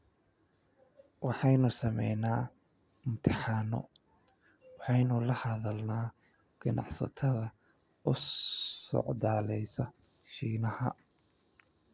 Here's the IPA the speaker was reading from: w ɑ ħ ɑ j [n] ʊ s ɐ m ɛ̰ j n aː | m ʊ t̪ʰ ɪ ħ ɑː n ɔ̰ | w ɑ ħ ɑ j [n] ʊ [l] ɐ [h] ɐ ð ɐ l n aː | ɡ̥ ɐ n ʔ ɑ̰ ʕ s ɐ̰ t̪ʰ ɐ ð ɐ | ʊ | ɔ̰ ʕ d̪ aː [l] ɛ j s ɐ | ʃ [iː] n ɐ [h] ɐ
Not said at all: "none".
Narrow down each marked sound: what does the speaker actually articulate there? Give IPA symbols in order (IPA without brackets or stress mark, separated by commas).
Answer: n, n, l, h, l, iː, h